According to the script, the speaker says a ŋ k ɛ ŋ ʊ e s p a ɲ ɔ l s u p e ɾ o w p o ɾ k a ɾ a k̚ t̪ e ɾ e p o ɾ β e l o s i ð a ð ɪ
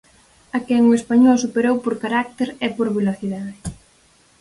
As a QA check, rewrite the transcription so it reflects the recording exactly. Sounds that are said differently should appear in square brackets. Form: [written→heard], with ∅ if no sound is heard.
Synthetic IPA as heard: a [ŋ→∅] k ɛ ŋ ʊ e s p a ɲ ɔ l s u p e ɾ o w p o ɾ k a ɾ a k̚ t̪ e ɾ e p o ɾ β e l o [s→θ] i ð a ð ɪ